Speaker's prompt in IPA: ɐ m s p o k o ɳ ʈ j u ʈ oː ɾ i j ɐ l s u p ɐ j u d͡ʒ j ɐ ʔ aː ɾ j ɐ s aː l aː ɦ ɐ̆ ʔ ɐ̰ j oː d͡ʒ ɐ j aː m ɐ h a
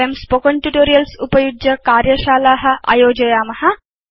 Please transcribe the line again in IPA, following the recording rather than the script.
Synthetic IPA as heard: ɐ m s p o k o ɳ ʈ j u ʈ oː ɾ i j ɐ l s u p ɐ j u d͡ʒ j ɐ k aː ɾ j ɐ ʃ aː l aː ɦ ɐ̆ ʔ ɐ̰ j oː d͡ʒ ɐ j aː m ɐ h ɐ